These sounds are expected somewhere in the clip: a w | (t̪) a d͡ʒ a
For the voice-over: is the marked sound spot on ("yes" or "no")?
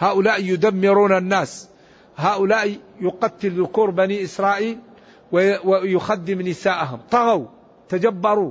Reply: yes